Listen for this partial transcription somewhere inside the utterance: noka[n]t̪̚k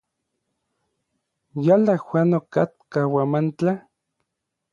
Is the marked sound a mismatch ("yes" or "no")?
yes